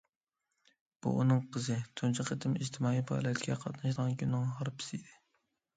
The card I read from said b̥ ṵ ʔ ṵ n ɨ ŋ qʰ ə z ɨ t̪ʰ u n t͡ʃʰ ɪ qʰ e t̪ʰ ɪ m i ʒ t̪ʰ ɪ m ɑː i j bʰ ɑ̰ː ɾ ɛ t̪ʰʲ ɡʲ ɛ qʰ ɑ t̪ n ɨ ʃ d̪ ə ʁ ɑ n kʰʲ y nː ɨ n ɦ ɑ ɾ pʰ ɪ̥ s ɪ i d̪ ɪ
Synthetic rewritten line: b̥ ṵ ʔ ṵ n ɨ ŋ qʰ ə z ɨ t̪ʰ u n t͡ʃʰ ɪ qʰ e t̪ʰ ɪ m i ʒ t̪ʰ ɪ m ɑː i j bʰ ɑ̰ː l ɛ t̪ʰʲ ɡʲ ɛ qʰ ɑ t̪ n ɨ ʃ d̪ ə ʁ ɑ n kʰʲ y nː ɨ ŋ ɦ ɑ ɾ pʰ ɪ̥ s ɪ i d̪ ɪ